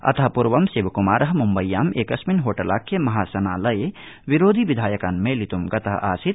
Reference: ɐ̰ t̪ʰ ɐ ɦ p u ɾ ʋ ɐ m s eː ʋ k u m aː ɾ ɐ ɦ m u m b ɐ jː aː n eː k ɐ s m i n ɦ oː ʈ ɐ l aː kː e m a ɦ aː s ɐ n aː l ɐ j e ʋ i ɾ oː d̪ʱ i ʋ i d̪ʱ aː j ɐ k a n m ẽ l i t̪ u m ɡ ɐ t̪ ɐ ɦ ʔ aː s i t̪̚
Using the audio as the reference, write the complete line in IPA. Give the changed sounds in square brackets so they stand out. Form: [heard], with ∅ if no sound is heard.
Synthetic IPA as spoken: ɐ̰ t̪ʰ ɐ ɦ p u ɾ ʋ ɐ m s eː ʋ k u m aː ɾ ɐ ɦ m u m b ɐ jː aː [m] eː k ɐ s m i n ɦ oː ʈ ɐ l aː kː e m [ɐ] ɦ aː s ɐ n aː l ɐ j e ʋ i ɾ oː d̪ʱ i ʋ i d̪ʱ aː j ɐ k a n m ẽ l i t̪ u m ɡ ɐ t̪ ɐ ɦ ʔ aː s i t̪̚